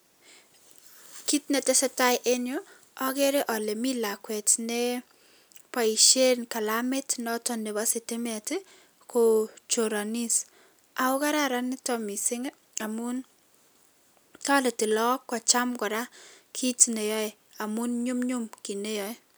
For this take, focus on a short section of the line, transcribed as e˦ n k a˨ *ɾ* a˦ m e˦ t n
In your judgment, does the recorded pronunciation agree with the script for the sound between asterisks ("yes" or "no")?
no